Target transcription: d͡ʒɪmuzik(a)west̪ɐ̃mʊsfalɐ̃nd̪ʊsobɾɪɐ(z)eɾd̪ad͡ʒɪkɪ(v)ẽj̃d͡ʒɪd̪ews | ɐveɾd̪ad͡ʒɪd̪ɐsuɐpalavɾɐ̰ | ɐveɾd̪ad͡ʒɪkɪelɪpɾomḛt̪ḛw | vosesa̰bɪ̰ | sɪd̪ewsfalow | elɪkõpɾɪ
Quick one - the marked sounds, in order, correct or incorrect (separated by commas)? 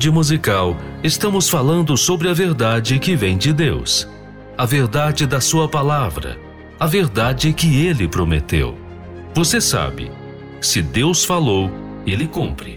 correct, incorrect, correct